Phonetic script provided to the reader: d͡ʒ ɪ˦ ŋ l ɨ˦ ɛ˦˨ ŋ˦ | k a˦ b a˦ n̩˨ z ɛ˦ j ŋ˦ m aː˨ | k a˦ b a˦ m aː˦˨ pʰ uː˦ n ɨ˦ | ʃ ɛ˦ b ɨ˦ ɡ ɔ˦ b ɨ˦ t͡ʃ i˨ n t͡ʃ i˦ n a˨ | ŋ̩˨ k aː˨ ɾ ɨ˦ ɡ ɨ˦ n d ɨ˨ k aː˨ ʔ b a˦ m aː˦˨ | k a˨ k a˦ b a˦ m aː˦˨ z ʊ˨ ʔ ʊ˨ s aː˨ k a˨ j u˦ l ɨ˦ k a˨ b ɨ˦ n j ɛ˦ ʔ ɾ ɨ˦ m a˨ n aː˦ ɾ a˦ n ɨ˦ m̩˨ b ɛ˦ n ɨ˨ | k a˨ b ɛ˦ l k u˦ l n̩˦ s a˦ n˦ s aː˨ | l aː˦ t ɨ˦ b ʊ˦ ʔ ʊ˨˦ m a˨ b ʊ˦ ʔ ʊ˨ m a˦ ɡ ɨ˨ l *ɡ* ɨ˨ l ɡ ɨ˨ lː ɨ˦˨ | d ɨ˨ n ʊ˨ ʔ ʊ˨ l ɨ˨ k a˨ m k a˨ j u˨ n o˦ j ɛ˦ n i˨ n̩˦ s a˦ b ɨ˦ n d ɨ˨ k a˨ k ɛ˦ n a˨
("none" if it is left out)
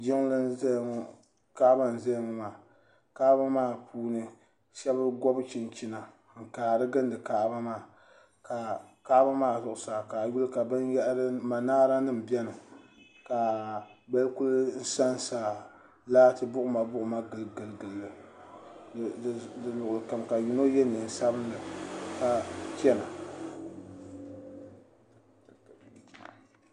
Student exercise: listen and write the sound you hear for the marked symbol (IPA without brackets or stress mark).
ɡ